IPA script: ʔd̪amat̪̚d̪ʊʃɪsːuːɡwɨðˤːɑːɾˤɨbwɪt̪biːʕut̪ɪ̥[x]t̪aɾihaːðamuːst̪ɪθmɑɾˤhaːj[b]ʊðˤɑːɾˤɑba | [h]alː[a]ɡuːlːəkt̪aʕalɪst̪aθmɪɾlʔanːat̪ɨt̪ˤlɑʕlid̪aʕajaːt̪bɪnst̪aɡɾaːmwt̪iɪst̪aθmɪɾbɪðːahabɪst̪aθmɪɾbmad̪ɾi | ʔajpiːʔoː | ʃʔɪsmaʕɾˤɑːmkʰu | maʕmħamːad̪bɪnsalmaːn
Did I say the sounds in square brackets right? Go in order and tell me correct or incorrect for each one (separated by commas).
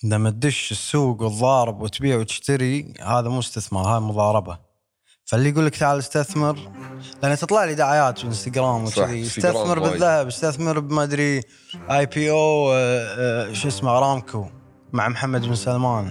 incorrect, incorrect, incorrect, incorrect